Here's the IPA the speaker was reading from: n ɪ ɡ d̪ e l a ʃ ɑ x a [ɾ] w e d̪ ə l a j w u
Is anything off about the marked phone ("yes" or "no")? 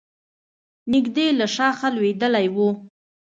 yes